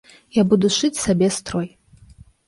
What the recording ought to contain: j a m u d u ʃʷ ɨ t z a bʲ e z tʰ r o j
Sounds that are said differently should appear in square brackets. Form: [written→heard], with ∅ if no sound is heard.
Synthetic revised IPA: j a [m→b] u d u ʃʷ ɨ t [z→s] a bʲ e [z→s] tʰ r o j